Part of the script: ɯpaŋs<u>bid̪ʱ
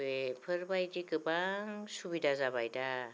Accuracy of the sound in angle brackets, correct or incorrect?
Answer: correct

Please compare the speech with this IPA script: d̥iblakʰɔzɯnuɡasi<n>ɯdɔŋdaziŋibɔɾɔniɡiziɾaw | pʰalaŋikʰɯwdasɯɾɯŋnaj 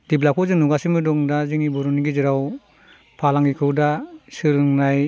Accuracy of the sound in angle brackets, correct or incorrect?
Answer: incorrect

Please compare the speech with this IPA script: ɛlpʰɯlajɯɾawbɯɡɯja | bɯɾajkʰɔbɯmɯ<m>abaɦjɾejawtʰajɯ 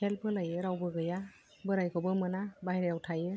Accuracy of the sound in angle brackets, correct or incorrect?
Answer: incorrect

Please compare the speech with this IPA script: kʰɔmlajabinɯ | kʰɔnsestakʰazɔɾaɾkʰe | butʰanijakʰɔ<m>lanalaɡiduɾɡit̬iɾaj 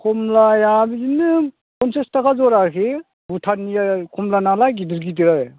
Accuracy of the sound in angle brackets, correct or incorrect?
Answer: correct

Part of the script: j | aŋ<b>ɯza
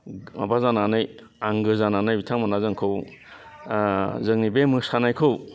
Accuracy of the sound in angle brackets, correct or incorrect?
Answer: incorrect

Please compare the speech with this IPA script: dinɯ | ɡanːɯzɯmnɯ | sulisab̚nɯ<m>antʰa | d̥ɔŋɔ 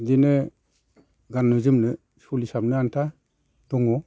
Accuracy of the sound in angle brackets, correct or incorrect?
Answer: incorrect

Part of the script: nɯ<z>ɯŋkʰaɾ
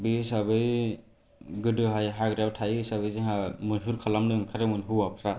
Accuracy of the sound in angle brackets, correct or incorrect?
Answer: incorrect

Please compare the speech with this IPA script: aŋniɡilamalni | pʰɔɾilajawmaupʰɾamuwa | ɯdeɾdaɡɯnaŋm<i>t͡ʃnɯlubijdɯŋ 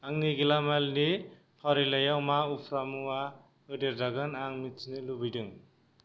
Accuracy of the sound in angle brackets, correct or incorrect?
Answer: correct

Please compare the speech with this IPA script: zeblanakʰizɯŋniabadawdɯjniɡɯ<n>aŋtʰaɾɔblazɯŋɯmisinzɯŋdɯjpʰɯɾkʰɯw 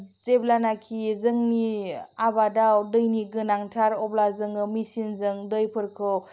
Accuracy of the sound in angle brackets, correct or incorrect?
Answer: correct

